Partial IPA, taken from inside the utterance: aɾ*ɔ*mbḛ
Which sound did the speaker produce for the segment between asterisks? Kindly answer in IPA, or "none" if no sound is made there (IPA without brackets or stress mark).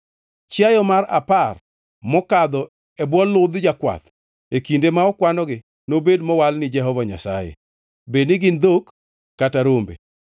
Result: o